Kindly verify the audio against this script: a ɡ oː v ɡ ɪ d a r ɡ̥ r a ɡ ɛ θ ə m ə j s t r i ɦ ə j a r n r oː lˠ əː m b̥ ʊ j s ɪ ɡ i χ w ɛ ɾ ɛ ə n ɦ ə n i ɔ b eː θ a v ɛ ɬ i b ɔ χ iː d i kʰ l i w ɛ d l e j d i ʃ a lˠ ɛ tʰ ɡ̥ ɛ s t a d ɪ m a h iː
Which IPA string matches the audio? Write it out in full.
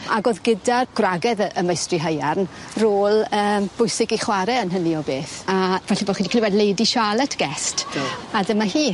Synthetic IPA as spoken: a ɡ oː ð ɡ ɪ d a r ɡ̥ r a ɡ ɛ ð ə m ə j s t r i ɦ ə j a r n r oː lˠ əː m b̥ ʊ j s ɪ ɡ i χ w a ɾ ɛ ə n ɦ ə n i ɔ b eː θ a v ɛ ɬ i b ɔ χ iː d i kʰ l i w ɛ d l e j d i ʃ a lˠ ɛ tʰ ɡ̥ ɛ s t a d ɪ m a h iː

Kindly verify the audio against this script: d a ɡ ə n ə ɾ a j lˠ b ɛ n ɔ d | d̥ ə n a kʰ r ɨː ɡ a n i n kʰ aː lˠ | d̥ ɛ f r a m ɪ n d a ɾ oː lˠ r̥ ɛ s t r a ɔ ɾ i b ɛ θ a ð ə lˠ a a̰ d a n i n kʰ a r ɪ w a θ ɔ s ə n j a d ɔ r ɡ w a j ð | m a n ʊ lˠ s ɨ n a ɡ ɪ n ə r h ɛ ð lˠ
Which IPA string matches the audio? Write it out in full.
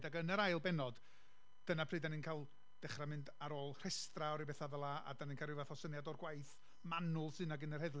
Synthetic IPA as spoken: d a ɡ ə n ə ɾ a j lˠ b ɛ n ɔ d | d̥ ə n a pʰ r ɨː d a n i n kʰ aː lˠ | d̥ ɛ χ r a m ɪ n d a ɾ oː lˠ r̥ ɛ s t r a ɔ ɾ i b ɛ θ a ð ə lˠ a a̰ d a n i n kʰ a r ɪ v a θ ɔ s ə n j a d ɔ r ɡ w a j θ | m a n ʊ lˠ s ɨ n a ɡ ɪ n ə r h ɛ ð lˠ

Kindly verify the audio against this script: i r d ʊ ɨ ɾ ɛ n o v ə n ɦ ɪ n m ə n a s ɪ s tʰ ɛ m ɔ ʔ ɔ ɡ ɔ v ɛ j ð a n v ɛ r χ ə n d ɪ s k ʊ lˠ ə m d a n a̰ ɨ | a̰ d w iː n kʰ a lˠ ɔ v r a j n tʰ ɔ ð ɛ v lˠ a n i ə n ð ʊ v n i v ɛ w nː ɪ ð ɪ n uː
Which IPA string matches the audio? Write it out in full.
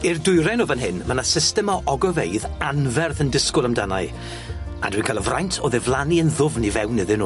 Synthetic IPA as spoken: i r d ʊ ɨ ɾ ɛ n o v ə n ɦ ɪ n m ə n a s ɪ s t ɛ m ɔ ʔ ɔ ɡ ɔ v e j ð a n v ɛ r θ ə n d ɪ s k ʊ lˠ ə m d a n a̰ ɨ | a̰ d w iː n kʰ a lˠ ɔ v r a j n tʰ ɔ ð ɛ v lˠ a n i ə n ð ʊ v n i v ɛ w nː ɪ ð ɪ n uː

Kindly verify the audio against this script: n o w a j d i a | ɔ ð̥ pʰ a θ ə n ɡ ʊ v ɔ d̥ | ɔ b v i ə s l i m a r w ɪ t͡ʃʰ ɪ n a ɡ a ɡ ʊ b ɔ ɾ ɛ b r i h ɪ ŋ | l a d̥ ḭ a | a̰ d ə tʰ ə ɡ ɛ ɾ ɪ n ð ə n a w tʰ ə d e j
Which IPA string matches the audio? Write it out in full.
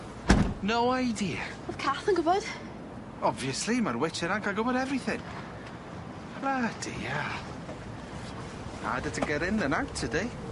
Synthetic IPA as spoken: n o w a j d i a | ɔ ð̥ kʰ a θ ə n ɡ ʊ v ɔ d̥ | ɔ b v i ə s l i m a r w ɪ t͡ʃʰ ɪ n a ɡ a ɡ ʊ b ɔ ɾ ɛ v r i θ ɪ ŋ | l a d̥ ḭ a | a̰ d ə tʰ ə ɡ ɛ ɾ ɪ n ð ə n a w tʰ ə d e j

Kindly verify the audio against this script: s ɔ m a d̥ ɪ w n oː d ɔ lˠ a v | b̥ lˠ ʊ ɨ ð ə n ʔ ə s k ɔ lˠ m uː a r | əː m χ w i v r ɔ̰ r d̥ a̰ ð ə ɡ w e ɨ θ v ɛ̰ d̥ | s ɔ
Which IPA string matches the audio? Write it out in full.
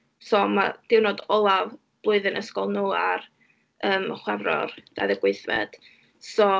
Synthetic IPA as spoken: s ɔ m a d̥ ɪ w n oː d ɔ lˠ a v | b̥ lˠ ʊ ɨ ð ə n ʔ ə s k ɔ lˠ n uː a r | əː m χ w ɛ v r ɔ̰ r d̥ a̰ ð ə ɡ w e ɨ θ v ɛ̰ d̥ | s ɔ

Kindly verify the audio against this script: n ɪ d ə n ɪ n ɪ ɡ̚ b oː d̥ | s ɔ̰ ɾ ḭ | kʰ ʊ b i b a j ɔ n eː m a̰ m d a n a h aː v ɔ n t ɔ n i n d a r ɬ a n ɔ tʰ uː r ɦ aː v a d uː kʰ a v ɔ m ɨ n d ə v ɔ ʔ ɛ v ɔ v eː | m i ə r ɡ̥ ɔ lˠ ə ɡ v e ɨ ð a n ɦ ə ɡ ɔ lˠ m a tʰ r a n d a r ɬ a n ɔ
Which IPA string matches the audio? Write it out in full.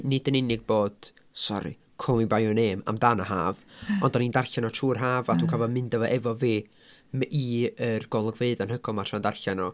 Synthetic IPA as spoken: n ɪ d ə n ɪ n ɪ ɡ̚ b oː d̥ | s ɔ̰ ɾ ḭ | kʰ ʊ m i b a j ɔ n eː m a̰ m d a n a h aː v ɔ n d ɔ n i n d a r ɬ a n ɔ tʰ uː r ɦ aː v a d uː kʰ a v ɔ m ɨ n d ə v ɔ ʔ ɛ v ɔ v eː | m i ə r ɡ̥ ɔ lˠ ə ɡ v e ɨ ð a n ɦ ə ɡ ɔ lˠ m a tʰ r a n d a r ɬ a n ɔ

